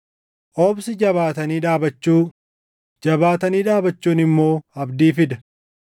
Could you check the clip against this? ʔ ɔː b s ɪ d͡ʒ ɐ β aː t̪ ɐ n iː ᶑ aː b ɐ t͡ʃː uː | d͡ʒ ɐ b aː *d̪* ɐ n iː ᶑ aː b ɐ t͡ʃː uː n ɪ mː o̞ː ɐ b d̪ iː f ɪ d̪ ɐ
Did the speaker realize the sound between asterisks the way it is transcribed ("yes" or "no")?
no